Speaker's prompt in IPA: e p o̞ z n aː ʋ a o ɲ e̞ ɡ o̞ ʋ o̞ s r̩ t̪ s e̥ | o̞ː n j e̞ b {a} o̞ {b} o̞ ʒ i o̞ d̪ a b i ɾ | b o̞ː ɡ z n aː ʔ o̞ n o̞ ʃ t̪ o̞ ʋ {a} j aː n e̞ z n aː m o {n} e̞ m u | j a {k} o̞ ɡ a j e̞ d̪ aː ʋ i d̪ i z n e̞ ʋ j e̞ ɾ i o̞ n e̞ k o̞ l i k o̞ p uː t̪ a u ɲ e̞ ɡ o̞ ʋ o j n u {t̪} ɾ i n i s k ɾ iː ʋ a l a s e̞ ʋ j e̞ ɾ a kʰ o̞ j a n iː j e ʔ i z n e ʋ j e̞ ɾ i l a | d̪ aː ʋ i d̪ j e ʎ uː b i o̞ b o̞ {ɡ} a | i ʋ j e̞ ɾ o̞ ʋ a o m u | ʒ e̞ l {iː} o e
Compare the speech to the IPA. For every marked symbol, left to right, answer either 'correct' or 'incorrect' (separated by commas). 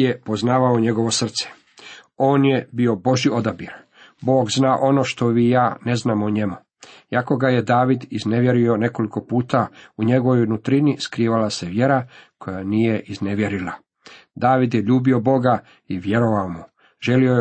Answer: incorrect, correct, incorrect, incorrect, correct, correct, correct, incorrect